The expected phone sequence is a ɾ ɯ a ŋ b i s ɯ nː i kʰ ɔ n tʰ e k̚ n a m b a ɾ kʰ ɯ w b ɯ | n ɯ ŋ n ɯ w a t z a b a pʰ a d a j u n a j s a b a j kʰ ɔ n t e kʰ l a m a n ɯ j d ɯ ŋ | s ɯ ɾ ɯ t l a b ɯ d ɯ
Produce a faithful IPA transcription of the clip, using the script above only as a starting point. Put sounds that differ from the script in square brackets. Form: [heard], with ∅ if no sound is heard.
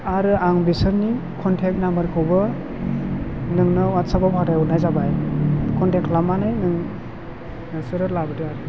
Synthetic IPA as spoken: a ɾ ɯ a ŋ b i s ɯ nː i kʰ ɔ n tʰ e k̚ n a m b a ɾ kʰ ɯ w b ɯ | n ɯ ŋ n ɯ w a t [s] a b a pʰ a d a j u n a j [z] a b a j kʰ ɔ n t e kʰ l a m a n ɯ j [n] ɯ ŋ | s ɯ ɾ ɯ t l a b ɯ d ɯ

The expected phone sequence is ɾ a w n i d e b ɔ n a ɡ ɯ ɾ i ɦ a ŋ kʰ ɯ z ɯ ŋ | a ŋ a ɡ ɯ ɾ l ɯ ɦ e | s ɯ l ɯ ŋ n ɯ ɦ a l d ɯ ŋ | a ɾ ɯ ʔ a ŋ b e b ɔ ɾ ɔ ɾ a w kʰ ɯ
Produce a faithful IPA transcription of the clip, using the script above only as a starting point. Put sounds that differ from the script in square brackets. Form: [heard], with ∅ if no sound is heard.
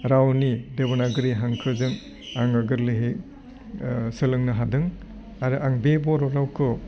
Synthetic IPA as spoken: ɾ a w n i d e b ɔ n a ɡ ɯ ɾ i ɦ a ŋ kʰ ɯ z ɯ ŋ | a ŋ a ɡ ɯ ɾ l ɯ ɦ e | s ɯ l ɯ ŋ n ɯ ɦ a [∅] d ɯ ŋ | a ɾ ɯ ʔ a ŋ b e b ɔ ɾ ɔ ɾ a w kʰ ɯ

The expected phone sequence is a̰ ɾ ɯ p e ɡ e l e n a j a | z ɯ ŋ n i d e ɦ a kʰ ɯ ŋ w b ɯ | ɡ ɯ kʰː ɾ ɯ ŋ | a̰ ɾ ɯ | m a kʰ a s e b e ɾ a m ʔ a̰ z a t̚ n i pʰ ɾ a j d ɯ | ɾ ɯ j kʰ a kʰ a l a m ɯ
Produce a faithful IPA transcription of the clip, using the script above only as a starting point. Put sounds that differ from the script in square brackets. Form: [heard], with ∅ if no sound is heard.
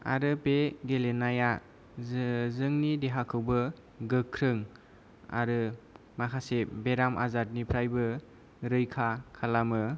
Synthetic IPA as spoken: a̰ ɾ ɯ p e ɡ e l e n a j a | z ɯ ŋ n i d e ɦ a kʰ ɯ [∅] w b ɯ | ɡ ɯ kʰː ɾ ɯ ŋ | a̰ ɾ ɯ | m a kʰ a s e b e ɾ a m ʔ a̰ z a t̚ n i pʰ ɾ a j [b] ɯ | ɾ ɯ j kʰ a kʰ a l a m ɯ

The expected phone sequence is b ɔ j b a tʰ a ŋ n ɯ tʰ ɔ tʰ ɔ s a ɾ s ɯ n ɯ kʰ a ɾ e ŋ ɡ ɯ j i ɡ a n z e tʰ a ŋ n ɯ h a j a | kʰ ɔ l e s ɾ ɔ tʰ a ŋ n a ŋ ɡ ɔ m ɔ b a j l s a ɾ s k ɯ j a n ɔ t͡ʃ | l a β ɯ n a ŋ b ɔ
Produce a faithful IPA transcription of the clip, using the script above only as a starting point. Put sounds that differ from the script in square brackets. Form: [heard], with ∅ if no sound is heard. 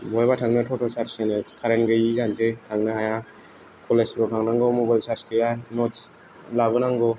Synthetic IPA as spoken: b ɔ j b a tʰ a ŋ n ɯ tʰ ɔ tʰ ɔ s a ɾ s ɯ n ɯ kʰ a ɾ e [n] ɡ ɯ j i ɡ a n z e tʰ a ŋ n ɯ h a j a | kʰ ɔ l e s ɾ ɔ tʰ a ŋ n a ŋ ɡ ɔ m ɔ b a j l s a ɾ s k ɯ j a n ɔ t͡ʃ | l a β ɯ n a ŋ [ɡ] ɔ

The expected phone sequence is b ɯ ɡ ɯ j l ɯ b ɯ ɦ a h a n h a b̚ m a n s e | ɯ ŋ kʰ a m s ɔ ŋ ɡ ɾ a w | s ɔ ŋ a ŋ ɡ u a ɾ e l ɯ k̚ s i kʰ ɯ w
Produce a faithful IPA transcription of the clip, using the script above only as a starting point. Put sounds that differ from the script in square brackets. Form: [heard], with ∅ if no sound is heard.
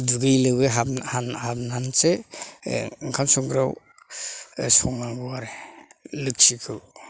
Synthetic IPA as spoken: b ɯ ɡ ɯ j l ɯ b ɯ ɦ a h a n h a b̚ [n] a n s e | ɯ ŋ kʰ a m s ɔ ŋ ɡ ɾ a w | s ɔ ŋ a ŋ ɡ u a ɾ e l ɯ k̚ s i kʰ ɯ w

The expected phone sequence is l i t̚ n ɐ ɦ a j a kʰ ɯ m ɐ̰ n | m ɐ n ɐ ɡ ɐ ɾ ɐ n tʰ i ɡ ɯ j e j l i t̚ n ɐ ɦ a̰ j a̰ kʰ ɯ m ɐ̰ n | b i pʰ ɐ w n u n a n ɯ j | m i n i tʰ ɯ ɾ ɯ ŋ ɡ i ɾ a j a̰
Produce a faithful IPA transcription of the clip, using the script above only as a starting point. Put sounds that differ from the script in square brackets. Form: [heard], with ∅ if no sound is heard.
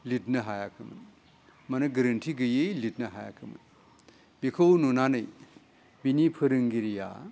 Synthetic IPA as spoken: l i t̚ n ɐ ɦ a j a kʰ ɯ m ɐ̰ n | m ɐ n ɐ ɡ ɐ ɾ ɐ n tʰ i ɡ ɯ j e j l i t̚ n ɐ ɦ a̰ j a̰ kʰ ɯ m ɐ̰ n | b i [kʰ] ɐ w n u n a n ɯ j | [b] i n i [pʰ] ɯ ɾ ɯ ŋ ɡ i ɾ [i] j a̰

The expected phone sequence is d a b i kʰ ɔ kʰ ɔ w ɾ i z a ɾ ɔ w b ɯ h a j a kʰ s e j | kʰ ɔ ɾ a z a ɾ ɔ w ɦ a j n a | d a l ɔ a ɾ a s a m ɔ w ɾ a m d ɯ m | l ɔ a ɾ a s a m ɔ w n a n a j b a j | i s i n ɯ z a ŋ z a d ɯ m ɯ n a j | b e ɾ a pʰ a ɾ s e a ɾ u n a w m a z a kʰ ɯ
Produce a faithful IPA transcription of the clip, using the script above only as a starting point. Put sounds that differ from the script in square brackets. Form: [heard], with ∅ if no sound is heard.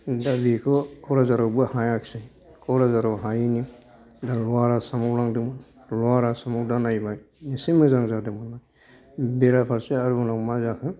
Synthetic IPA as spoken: d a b i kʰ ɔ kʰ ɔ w ɾ [a] z a ɾ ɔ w b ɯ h a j a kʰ s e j | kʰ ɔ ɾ a z a ɾ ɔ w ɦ a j n [i] | d a l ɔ a ɾ a s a m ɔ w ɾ a [ŋ] d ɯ m | l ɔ a ɾ a s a m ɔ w [d] a n a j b a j | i s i [m] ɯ z a ŋ z a d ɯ m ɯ n a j | b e ɾ a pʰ a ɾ s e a ɾ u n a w m a z a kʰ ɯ

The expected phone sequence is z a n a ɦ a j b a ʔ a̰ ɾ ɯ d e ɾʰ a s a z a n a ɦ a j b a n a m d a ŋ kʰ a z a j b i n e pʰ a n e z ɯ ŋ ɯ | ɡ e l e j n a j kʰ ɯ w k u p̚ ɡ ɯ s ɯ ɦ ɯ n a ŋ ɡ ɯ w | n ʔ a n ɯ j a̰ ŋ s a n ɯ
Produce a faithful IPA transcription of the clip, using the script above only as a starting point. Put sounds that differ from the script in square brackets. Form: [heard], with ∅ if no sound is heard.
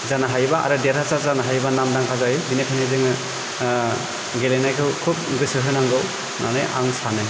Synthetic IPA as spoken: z a n a ɦ a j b a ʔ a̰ ɾ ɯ d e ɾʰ a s a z a n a ɦ a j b a n a m d a ŋ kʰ a z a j b i n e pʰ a n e z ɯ ŋ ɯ | ɡ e l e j n a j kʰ ɯ w [kʰ] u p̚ ɡ ɯ s ɯ ɦ ɯ n a ŋ ɡ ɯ w | n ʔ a n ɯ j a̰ ŋ s a n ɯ

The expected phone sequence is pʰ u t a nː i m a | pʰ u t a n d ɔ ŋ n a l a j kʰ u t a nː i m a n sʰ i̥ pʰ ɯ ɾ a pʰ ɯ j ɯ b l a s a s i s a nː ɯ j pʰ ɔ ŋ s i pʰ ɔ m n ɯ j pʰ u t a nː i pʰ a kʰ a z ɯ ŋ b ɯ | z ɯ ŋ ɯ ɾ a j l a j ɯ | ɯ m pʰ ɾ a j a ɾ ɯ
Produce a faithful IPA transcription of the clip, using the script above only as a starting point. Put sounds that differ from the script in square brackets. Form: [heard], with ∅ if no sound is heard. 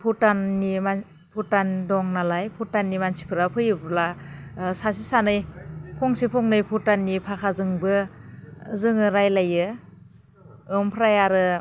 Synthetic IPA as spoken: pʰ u t a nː i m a | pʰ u t a n d ɔ ŋ n a l a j [pʰ] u t a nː i m a n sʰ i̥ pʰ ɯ ɾ a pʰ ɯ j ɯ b l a s a s i s a [n] ɯ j pʰ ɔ ŋ s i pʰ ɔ [ŋ] n ɯ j pʰ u t a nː i pʰ a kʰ a z ɯ ŋ b ɯ | z ɯ ŋ ɯ ɾ a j l a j ɯ | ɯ m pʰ ɾ a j a ɾ ɯ

